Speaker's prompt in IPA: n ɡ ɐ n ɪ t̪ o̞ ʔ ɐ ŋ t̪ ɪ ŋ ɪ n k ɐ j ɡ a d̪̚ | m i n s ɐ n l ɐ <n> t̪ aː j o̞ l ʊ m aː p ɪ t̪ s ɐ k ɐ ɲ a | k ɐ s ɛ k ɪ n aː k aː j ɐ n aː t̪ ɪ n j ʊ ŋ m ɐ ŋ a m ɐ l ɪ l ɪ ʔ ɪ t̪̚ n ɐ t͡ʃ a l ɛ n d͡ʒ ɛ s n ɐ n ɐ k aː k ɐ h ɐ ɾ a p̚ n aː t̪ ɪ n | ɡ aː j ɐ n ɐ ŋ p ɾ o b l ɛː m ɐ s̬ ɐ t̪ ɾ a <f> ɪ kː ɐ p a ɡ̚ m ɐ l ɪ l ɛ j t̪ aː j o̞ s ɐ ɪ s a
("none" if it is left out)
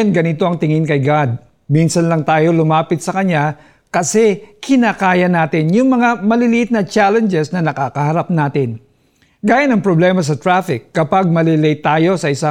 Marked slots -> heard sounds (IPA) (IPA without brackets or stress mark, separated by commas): ŋ, f